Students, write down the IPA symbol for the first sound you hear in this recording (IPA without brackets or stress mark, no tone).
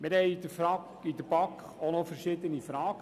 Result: m